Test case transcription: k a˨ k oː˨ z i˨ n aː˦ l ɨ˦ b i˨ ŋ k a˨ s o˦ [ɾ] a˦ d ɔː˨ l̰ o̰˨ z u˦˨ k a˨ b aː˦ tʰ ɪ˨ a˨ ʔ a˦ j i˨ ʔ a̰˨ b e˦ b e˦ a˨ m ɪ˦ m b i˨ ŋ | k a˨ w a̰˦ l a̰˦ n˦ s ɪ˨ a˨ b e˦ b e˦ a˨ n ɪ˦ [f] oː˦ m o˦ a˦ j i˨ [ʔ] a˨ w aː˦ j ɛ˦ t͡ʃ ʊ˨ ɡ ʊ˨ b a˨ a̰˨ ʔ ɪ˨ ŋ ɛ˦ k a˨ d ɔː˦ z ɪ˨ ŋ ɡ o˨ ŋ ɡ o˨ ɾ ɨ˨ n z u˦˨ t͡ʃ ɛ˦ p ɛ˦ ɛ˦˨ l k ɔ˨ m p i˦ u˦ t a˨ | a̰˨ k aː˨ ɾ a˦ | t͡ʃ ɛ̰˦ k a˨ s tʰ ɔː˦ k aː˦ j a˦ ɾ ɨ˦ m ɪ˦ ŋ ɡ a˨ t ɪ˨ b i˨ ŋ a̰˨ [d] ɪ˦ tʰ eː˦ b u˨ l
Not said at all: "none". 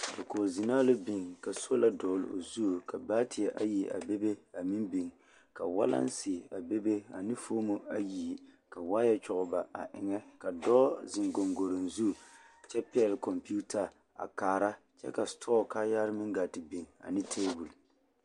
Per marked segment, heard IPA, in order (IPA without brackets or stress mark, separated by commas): l, f, k, n